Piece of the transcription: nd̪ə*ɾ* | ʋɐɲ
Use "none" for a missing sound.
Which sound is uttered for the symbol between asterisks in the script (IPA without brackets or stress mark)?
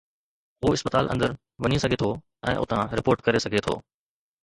ɾ